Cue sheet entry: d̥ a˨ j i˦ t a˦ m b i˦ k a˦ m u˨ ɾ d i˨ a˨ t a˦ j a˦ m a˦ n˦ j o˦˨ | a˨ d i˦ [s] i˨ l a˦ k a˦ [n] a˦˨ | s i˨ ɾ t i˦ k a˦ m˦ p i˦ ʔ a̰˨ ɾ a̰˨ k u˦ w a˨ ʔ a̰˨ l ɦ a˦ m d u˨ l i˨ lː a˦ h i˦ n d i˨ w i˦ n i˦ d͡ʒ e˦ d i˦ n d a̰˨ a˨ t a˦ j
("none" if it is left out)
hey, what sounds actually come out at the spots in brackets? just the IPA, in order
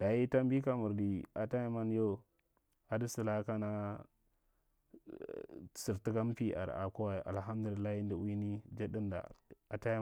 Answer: s, n

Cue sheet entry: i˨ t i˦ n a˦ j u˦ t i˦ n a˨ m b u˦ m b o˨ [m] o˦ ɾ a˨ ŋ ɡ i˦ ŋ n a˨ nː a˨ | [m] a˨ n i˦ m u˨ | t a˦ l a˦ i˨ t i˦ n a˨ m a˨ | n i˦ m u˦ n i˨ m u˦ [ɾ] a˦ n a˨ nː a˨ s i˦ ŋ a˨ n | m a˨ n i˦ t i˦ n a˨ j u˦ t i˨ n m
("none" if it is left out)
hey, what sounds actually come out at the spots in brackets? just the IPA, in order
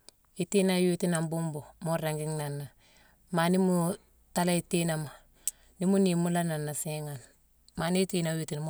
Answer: m, m, l

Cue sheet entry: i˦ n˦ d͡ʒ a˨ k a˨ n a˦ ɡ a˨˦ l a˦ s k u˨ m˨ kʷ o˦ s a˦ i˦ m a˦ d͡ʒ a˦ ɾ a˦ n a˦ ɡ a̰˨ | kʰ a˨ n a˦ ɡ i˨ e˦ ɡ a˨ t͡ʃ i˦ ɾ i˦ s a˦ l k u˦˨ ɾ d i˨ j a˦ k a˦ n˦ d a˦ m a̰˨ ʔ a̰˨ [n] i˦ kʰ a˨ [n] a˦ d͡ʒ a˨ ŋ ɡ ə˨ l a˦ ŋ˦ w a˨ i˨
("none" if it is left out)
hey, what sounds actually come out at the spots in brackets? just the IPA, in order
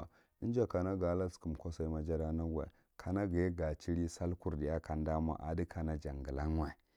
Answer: d, n

